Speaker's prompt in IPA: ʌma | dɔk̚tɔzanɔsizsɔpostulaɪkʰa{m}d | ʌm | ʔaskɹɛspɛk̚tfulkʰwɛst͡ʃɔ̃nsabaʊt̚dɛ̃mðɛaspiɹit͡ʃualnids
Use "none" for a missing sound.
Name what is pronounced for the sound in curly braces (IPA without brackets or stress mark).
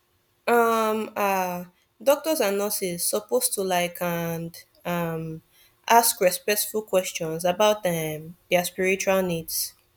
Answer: n